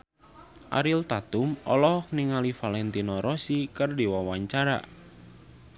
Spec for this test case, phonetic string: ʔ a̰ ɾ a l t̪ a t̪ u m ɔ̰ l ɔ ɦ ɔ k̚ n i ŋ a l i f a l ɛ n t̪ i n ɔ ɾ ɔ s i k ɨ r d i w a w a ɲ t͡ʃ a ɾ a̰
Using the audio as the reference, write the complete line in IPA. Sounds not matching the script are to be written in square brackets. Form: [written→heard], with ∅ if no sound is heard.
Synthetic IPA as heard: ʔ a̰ ɾ [a→i] l t̪ a t̪ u m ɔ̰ l ɔ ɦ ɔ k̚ n i ŋ a l i f a l ɛ n t̪ i n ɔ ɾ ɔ s i k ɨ r d i w a w a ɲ t͡ʃ a ɾ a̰